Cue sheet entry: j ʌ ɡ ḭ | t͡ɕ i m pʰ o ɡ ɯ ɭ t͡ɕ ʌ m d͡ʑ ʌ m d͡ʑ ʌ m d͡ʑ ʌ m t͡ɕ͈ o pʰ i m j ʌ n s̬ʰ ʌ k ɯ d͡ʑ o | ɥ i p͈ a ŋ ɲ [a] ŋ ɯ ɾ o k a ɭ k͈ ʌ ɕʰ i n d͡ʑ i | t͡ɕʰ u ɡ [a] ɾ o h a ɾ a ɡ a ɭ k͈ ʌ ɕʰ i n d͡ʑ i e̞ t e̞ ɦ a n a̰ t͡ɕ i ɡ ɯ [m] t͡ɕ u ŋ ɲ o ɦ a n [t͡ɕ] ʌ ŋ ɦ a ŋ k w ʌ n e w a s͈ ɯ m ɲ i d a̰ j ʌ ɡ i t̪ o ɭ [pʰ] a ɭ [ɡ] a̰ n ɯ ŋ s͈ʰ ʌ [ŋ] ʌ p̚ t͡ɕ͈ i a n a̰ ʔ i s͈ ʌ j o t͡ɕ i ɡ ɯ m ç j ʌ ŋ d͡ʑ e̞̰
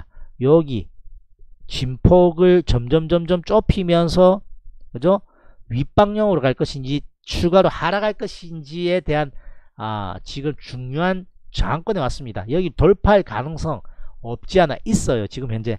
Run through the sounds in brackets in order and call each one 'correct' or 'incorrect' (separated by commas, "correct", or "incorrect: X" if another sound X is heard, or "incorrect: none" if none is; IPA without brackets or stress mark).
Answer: incorrect: ʌ, correct, correct, correct, correct, incorrect: k, correct